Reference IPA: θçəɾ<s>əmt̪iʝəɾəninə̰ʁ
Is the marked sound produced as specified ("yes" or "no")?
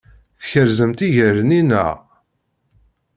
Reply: no